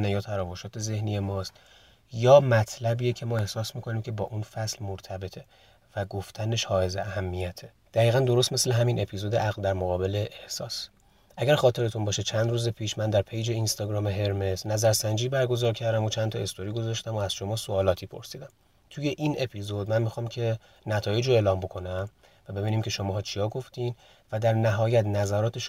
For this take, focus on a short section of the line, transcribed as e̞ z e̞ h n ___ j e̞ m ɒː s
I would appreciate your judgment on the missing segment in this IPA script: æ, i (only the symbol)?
i